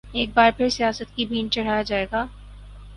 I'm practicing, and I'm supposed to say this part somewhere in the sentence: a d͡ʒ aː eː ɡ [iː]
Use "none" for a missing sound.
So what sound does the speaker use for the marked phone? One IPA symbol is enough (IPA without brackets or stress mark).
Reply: aː